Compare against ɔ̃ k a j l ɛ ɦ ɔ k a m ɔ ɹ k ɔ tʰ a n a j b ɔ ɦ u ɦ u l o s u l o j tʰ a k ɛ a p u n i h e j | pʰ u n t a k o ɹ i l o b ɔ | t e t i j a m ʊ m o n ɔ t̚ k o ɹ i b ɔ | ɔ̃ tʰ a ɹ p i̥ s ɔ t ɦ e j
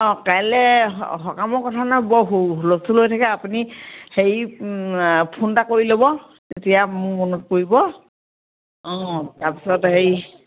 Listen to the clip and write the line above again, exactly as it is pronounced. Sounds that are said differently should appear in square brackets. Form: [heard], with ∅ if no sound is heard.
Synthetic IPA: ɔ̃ k a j l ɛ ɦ ɔ k a m ɔ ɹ k ɔ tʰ a n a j b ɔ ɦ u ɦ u l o s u l o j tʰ a k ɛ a p u n i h e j | pʰ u n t a k o ɹ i l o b ɔ | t e t i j a m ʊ m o n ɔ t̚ k o ɹ i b ɔ | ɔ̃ [t] a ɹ p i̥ s ɔ t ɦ e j